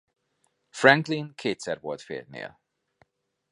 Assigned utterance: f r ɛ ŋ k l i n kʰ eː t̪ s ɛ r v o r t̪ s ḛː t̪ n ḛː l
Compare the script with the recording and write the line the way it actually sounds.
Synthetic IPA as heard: f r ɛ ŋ k l i n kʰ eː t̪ s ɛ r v o l t̪ f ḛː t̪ n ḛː l